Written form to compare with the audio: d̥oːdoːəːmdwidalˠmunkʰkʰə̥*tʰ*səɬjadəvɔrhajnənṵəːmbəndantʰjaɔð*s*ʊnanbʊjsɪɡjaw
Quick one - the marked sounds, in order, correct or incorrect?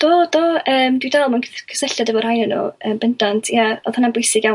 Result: incorrect, incorrect

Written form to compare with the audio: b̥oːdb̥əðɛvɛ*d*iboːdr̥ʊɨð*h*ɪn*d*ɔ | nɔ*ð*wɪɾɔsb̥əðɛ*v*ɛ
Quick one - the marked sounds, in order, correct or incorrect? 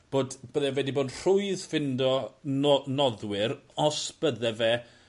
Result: correct, incorrect, correct, correct, correct

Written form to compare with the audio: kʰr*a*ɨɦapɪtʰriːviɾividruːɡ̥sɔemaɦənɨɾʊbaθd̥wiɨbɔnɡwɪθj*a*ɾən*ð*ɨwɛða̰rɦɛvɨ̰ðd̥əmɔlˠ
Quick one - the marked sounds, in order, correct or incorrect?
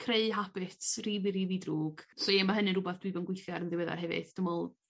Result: incorrect, correct, correct

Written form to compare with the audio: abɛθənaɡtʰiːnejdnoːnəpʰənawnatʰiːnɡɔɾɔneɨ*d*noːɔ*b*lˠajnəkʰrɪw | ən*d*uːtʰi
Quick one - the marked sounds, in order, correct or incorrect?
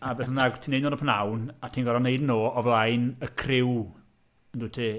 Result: correct, incorrect, correct

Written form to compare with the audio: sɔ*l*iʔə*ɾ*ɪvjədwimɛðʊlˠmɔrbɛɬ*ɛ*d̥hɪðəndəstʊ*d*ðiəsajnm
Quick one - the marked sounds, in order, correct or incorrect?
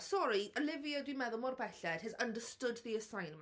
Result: incorrect, incorrect, correct, correct

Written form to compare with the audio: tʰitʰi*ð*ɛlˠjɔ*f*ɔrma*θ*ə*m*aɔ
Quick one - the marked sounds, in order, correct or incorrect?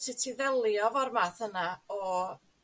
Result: correct, incorrect, correct, incorrect

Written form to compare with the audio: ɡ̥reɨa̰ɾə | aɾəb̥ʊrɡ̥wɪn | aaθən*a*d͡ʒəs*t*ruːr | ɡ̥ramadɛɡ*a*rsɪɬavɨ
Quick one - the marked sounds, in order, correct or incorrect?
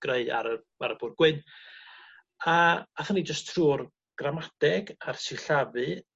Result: incorrect, incorrect, correct

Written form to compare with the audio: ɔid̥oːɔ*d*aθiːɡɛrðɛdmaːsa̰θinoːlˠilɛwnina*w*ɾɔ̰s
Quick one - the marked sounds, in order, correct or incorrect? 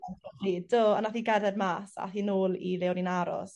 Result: incorrect, incorrect

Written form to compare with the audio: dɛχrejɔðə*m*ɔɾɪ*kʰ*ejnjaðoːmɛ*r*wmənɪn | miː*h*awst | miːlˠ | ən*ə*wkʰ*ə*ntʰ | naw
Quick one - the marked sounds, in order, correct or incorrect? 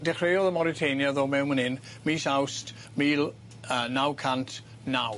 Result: correct, incorrect, incorrect, incorrect, incorrect, incorrect

